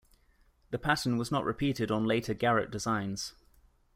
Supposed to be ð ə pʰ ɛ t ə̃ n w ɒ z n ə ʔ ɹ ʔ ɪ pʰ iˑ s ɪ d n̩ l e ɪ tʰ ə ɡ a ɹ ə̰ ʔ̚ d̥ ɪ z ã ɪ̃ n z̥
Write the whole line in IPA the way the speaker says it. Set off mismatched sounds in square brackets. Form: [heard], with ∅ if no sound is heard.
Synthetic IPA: ð ə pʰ [a] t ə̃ n w ɒ z n ə ʔ ɹ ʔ ɪ pʰ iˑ [t] ɪ d n̩ l e ɪ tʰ ə ɡ a ɹ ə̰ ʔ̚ d̥ ɪ z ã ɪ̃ n z̥